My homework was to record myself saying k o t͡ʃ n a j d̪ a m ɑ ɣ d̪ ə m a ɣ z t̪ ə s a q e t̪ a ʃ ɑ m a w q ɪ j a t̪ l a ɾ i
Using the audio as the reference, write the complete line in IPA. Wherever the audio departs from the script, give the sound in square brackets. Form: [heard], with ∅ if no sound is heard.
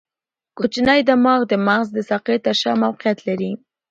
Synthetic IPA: k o t͡ʃ n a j d̪ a m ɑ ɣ d̪ ə m a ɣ z [d̪] ə s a q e t̪ a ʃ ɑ m a w q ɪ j a t̪ l a ɾ i